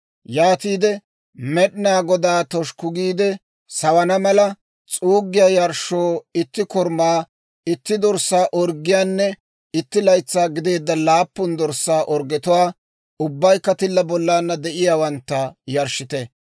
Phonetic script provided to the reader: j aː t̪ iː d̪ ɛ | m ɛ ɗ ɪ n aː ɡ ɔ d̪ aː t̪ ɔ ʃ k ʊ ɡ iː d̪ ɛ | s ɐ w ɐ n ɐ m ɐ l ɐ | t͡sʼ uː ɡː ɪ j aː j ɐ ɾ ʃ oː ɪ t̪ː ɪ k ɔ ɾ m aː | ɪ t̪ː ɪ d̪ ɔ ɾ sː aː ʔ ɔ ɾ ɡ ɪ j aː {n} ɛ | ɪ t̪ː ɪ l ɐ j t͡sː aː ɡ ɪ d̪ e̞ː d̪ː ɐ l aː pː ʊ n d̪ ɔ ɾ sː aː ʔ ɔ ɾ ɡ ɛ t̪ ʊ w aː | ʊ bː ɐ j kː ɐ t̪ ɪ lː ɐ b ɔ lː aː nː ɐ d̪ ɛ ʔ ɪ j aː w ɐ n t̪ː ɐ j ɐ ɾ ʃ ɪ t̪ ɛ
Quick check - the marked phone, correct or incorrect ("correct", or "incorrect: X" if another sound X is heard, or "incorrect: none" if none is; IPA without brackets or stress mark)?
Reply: incorrect: nː